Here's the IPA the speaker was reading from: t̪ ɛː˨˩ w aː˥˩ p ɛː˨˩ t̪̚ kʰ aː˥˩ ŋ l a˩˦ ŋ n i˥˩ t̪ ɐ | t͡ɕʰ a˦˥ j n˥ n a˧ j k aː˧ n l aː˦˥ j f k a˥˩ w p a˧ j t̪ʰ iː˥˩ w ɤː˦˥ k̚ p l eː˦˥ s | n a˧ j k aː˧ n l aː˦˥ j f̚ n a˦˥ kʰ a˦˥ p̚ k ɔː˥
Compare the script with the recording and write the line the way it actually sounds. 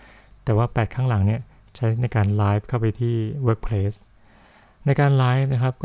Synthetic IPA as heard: t̪ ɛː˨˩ w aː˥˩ p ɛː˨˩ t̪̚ kʰ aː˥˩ ŋ l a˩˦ ŋ n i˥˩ ɐ | t͡ɕʰ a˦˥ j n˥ n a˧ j k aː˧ n l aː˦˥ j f kʰ a˥˩ w p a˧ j t̪ʰ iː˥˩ w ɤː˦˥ k̚ pʰ l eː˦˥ s | n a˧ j k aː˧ n l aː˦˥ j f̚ n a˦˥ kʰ a˦˥ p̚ k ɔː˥